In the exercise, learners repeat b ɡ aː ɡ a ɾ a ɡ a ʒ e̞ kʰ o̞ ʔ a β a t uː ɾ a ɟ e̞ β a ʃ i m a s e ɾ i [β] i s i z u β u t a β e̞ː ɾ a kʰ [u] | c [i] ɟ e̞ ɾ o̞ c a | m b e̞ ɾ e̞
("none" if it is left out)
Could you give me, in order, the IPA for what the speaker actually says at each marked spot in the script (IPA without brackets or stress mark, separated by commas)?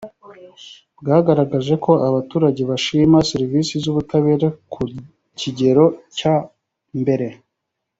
v, u, i